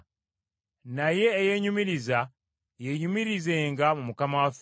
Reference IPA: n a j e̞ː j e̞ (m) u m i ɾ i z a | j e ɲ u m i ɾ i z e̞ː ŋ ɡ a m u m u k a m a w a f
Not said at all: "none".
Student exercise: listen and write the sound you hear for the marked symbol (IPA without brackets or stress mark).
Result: ɲ